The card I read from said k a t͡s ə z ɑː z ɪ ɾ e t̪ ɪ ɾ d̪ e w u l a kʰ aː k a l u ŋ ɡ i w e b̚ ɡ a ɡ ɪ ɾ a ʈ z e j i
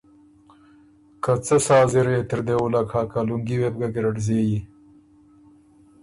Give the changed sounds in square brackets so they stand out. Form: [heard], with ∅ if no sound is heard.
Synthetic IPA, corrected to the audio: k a t͡s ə [s] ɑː z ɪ ɾ e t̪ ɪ ɾ d̪ e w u l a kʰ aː k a l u ŋ ɡ i w e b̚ ɡ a ɡ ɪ ɾ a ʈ z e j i